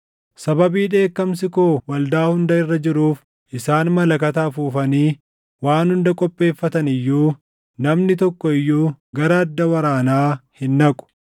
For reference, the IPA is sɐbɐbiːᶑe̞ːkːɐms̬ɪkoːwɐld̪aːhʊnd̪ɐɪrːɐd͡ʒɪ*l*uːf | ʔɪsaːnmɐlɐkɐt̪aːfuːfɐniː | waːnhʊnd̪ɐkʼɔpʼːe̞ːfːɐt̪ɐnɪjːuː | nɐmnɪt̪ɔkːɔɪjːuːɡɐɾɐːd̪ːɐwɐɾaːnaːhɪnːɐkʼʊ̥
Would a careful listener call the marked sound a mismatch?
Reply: yes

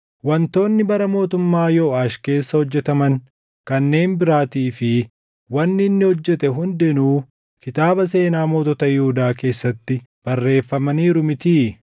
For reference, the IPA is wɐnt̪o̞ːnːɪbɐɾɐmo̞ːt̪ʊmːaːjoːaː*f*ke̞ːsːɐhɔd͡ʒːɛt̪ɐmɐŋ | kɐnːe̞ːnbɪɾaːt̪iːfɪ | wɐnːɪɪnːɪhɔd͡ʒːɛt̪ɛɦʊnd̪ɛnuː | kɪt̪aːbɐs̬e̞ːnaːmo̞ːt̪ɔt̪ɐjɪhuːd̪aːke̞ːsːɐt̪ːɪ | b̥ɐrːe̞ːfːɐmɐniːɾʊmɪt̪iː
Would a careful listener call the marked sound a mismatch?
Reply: yes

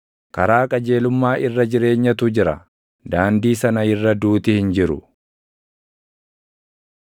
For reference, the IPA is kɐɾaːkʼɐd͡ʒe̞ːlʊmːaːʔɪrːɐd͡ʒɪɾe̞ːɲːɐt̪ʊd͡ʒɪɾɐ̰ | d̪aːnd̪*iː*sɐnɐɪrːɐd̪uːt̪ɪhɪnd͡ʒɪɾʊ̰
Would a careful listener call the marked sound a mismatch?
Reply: no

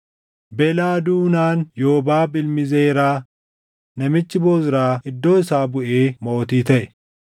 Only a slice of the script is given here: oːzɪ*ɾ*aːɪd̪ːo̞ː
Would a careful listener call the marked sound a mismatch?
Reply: no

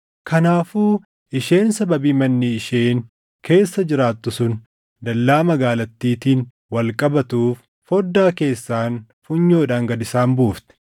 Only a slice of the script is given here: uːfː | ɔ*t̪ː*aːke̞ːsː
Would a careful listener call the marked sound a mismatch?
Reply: yes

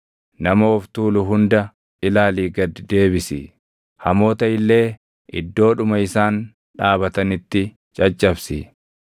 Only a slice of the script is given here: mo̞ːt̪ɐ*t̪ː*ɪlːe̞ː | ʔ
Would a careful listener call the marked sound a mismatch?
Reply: yes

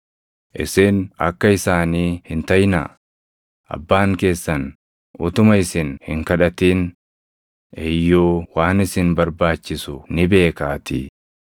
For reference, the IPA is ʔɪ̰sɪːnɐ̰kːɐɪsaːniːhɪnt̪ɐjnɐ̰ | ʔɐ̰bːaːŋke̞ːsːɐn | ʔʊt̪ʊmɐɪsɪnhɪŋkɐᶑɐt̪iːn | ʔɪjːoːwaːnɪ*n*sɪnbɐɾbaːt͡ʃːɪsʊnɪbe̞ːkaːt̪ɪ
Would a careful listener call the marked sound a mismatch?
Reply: yes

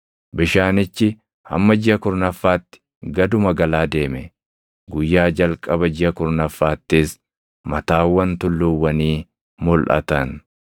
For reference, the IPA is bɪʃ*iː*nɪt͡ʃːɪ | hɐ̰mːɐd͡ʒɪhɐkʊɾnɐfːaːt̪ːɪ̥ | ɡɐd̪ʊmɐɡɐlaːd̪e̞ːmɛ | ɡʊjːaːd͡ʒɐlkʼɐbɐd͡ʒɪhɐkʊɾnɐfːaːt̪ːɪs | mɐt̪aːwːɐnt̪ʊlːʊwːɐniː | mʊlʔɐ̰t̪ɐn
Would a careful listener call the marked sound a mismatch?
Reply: yes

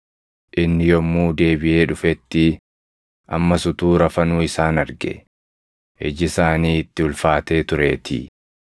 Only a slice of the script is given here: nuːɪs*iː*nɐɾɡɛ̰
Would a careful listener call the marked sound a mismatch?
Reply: yes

